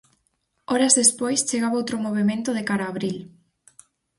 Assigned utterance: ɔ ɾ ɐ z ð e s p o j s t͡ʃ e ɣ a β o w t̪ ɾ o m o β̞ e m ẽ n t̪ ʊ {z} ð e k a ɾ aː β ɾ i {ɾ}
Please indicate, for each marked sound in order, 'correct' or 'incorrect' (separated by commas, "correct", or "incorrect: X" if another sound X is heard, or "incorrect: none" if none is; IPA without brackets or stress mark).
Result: incorrect: none, incorrect: l